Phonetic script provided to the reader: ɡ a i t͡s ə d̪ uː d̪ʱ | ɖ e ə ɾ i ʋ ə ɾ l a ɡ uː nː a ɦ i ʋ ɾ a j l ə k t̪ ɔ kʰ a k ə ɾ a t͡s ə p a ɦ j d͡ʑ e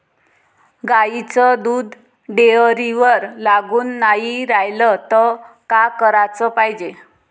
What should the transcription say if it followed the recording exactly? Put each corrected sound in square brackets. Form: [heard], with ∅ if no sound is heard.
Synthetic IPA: ɡ a i t͡s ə d̪ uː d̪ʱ | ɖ e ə ɾ i ʋ ə ɾ l a ɡ uː nː a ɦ i [∅] ɾ a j l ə [∅] t̪ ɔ [k] a k ə ɾ a t͡s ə p a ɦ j d͡ʑ e